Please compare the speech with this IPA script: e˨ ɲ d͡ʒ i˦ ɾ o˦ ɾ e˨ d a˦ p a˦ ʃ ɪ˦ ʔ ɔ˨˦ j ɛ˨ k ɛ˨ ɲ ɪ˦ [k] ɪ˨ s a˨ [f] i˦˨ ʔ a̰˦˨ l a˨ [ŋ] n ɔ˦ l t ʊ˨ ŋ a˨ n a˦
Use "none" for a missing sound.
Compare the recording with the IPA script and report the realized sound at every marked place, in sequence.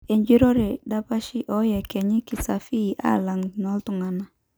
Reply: k, f, ŋ

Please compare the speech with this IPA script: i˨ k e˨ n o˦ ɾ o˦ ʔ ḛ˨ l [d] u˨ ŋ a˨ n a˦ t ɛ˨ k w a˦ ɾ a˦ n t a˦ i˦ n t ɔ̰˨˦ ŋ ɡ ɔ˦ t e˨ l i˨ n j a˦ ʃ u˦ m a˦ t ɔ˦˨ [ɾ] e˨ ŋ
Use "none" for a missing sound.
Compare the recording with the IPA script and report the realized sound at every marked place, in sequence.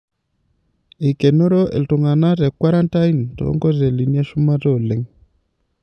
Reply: t, l

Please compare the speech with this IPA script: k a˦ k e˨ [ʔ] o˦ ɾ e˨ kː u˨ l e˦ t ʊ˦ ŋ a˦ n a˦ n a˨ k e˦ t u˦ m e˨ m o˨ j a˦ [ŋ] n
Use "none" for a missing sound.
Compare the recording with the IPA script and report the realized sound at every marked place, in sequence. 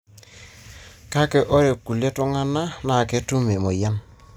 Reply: ʔ, none

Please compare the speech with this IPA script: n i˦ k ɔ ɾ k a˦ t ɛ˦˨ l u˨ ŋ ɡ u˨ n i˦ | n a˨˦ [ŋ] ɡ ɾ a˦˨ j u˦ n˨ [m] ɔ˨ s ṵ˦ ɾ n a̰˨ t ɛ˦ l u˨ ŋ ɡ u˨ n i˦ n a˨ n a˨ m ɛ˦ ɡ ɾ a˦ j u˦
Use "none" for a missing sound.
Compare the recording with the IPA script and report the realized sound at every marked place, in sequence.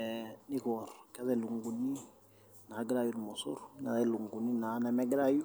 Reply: none, m

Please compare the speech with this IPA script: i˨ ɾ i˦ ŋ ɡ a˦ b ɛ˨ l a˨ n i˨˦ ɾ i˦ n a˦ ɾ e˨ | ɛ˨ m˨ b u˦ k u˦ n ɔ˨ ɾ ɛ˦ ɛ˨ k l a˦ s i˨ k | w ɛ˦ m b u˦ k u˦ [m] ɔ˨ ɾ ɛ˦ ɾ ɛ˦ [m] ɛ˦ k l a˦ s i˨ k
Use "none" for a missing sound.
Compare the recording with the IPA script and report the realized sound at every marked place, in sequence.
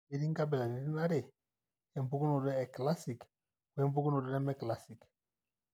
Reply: n, m

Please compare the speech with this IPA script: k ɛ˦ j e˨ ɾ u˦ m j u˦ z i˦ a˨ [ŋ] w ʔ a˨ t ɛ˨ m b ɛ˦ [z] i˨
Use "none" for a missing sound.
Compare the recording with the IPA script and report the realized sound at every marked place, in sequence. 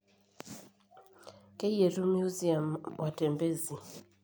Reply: m, z

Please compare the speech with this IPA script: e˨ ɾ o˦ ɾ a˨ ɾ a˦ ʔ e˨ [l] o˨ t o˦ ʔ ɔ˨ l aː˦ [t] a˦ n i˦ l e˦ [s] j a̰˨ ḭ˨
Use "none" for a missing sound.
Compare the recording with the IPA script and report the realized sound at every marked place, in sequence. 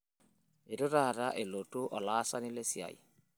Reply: l, s, s

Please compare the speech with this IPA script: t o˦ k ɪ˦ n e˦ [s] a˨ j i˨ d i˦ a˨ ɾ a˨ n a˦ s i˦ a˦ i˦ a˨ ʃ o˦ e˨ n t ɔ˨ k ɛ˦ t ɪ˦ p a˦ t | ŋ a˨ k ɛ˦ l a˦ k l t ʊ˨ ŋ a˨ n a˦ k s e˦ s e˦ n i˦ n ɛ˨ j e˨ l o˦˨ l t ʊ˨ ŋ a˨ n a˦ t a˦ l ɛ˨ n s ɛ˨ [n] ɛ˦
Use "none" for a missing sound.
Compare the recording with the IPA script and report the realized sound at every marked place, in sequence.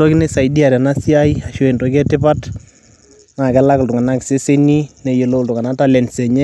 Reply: s, ɲ

